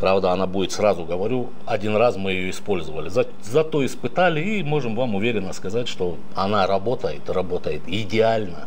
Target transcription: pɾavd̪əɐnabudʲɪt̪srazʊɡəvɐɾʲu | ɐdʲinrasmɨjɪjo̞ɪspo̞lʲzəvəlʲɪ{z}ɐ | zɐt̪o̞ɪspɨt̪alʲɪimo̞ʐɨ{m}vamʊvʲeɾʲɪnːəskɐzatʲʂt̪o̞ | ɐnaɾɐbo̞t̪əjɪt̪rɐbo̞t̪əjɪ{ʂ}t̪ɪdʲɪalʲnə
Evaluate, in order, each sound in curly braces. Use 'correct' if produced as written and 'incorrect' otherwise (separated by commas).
correct, correct, incorrect